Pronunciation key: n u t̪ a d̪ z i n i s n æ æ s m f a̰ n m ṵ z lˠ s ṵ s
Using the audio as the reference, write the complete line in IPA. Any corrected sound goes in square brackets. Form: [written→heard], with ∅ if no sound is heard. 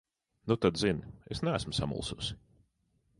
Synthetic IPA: n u t̪ a d̪ z i n [i→e] s n æ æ s m [f→s] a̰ [n→∅] m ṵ [z→∅] lˠ s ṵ s